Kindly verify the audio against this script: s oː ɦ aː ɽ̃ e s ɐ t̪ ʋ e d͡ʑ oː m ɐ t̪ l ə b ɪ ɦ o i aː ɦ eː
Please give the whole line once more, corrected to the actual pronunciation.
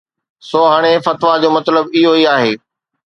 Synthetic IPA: s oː ɦ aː ɽ̃ e f ɐ t̪ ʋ a d͡ʑ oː m ɐ t̪ l ə b ɪ ɦ o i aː ɦ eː